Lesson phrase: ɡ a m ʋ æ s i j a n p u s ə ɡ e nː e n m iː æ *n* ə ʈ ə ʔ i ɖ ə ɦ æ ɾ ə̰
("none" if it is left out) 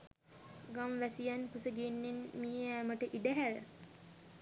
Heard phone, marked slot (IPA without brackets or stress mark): m